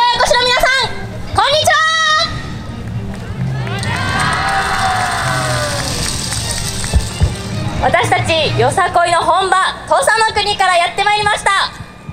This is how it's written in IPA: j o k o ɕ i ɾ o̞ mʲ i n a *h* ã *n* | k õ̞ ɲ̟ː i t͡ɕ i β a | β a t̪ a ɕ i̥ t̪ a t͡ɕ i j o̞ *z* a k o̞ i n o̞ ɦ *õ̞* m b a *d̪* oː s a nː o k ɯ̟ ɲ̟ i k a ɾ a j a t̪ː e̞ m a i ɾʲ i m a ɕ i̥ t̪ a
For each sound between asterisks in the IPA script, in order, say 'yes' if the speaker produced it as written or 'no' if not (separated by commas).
no, no, no, yes, no